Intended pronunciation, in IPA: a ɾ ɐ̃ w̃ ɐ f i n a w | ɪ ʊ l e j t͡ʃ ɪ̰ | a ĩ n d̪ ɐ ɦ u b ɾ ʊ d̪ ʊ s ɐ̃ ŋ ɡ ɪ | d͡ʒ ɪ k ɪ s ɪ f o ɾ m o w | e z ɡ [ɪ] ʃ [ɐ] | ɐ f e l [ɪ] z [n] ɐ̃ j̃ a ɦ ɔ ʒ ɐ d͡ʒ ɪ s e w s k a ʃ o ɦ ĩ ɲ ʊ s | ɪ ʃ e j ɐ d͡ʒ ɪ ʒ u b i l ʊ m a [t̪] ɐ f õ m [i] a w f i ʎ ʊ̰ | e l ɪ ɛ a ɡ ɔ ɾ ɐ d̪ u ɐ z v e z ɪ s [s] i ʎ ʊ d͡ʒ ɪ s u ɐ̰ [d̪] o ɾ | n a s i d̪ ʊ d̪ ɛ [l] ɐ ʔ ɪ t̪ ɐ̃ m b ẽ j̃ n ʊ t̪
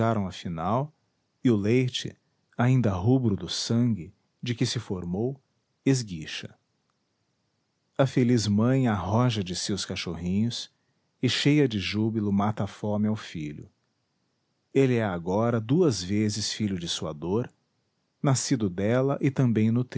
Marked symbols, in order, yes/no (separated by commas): no, yes, no, no, yes, no, no, yes, yes